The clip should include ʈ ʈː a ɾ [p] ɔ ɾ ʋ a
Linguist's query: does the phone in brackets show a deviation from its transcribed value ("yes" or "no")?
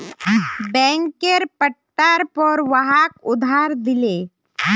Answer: no